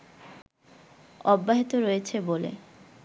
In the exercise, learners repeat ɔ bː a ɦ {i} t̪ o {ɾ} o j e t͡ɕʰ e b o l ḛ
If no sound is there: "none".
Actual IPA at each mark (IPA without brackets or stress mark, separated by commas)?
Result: i, ɾ